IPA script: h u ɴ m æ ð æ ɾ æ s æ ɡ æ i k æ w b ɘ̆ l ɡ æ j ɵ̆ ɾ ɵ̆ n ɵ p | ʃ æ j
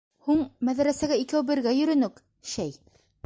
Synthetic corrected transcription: h u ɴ m æ ð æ ɾ æ s æ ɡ æ i k æ w b ɘ̆ ɾ ɡ æ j ɵ̆ ɾ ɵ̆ n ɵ k | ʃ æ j